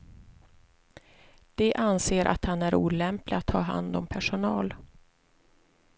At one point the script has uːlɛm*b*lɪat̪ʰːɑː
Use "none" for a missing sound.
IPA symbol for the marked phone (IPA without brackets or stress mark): p